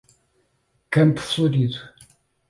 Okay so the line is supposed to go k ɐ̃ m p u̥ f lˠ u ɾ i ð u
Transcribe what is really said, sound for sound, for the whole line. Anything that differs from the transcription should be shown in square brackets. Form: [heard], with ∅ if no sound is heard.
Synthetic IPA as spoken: k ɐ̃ m p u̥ f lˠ u ɾ i ð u